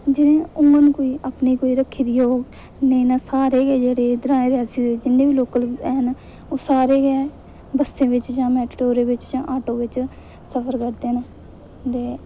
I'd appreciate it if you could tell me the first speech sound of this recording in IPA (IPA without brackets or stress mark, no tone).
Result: d͡ʒ